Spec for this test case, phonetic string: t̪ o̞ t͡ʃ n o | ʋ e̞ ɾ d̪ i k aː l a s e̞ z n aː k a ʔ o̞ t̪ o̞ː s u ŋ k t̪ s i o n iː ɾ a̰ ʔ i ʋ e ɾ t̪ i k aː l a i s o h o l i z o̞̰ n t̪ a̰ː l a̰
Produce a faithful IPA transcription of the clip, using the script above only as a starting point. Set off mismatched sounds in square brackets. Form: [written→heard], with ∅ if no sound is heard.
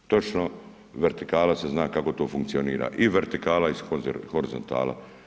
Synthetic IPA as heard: t̪ o̞ t͡ʃ n o | ʋ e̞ ɾ [d̪→t̪] i k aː l a s e̞ z n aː k a [ʔ→k] o̞ t̪ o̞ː [s→f] u ŋ k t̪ s i o n iː ɾ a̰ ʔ i ʋ e ɾ t̪ i k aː l a i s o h o [l→ɾ] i z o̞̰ n t̪ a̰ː l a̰